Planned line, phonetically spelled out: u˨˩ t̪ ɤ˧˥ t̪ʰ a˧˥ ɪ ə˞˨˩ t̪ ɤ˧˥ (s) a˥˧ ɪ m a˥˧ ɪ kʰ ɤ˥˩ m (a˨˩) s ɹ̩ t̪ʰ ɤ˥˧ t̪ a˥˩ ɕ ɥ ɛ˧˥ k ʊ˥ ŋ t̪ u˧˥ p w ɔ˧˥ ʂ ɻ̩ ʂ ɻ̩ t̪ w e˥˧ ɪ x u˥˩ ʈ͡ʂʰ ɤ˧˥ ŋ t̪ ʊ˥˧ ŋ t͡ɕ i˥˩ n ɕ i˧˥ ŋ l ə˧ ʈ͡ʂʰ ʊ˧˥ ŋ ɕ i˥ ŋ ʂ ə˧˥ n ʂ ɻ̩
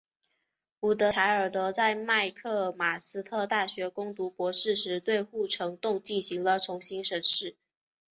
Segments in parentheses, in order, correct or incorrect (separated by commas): incorrect, correct